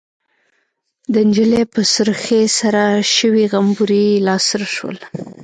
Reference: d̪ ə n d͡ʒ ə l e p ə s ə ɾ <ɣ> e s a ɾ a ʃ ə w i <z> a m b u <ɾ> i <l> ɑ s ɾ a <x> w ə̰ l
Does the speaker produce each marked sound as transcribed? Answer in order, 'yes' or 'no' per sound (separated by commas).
no, no, yes, yes, no